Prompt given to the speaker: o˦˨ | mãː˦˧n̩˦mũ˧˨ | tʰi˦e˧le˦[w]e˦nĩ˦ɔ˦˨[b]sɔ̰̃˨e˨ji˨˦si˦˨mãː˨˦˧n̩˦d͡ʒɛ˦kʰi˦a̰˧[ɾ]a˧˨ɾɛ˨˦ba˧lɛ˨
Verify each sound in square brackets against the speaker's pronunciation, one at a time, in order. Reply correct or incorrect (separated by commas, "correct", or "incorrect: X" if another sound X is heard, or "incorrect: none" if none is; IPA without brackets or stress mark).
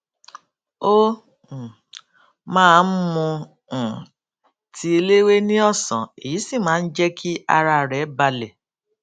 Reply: correct, incorrect: none, correct